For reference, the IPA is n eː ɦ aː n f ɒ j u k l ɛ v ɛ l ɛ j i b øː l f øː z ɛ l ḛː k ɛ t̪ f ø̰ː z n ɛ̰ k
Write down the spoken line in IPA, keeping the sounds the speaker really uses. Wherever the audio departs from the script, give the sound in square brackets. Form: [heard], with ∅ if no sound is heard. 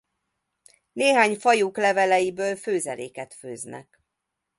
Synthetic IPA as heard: n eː ɦ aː [ɲ] f ɒ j u k l ɛ v ɛ l ɛ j i b øː l f øː z ɛ l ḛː k ɛ t̪ f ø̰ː z n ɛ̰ k